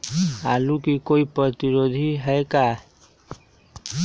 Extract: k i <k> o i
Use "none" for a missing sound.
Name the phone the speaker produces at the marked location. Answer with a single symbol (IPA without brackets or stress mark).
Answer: k